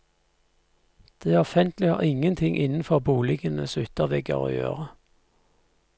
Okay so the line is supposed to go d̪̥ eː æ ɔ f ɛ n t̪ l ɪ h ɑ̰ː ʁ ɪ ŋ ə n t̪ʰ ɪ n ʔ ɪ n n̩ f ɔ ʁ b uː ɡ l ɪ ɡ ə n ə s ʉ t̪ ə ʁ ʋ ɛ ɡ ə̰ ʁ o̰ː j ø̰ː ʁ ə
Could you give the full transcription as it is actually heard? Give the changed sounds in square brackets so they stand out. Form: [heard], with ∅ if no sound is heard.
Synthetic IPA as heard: d̪̥ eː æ ɔ f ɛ n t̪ l ɪ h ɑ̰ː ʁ ɪ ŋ ə n t̪ʰ ɪ [ŋ] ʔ ɪ n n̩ f ɔ ʁ b uː [∅] l ɪ ɡ ə n ə s ʉ t̪ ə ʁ ʋ ɛ ɡ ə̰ ʁ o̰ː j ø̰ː ʁ ə

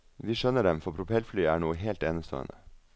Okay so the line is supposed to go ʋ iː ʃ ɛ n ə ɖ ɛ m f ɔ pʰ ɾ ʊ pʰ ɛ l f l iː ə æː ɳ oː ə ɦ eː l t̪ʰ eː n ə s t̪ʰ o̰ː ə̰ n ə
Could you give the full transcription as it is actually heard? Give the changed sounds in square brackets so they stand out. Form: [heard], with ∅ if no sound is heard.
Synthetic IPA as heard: ʋ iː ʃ [œ] n ə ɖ ɛ m f ɔ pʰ ɾ ʊ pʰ ɛ l f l [yː] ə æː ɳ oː ə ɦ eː l [t̪] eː n ə s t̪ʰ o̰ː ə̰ n ə

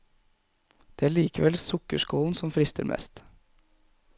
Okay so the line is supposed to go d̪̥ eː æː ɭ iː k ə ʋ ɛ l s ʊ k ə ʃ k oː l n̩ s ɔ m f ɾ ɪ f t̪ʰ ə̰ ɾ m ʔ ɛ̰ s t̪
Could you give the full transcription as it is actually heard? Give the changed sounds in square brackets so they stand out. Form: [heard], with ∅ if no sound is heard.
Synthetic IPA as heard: d̪̥ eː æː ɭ iː k ə ʋ ɛ l s ʊ k ə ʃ k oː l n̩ s ɔ m f ɾ ɪ [s] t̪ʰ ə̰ ɾ m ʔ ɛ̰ s t̪

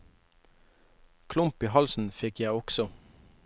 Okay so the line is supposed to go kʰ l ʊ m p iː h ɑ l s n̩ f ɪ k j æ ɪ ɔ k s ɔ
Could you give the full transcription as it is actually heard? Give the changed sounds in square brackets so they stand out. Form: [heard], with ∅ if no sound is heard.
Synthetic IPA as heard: kʰ l ʊ m p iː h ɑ l s n̩ f ɪ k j æ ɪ ɔ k s ɔ

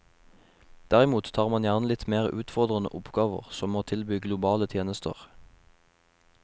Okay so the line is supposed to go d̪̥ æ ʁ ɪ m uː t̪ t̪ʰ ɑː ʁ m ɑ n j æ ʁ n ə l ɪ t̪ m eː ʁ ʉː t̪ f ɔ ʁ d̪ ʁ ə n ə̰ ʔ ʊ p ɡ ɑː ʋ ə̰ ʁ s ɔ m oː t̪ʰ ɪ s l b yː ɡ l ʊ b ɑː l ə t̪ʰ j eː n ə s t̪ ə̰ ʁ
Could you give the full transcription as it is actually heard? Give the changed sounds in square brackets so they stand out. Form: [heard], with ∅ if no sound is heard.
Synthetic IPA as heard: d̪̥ æ ʁ ɪ m uː t̪ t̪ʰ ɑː ʁ m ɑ n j æ ʁ n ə l ɪ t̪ m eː ʁ ʉː t̪ f ɔ ʁ d̪ ʁ ə n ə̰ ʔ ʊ p ɡ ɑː ʋ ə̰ ʁ s ɔ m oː t̪ʰ ɪ [∅] l b yː ɡ l ʊ b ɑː l ə t̪ʰ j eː n ə s t̪ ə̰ ʁ

